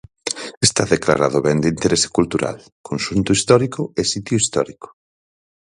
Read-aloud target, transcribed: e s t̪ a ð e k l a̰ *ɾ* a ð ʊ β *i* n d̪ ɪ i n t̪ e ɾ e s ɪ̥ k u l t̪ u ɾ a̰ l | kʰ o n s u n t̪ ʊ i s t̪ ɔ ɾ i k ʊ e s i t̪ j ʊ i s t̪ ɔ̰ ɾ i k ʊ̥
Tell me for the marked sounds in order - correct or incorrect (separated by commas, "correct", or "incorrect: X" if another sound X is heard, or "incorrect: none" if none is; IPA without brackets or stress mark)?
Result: correct, incorrect: ɛ